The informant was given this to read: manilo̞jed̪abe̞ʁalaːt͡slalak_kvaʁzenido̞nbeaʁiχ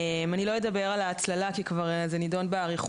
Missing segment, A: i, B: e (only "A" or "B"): A